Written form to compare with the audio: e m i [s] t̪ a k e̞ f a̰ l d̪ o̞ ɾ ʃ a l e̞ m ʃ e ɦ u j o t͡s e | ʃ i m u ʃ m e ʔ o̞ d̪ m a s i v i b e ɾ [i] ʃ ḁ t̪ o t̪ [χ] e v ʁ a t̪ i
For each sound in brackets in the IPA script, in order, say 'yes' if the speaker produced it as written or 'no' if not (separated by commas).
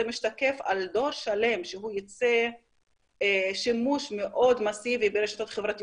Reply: no, no, yes